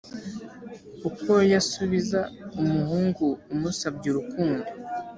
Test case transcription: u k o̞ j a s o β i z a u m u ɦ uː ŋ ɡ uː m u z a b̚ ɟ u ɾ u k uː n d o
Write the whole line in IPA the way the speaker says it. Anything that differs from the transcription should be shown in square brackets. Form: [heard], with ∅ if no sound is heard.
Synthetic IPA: u k o̞ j a s [u] β i z a u m u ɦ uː ŋ ɡ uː m u [s] a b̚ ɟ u ɾ u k uː n d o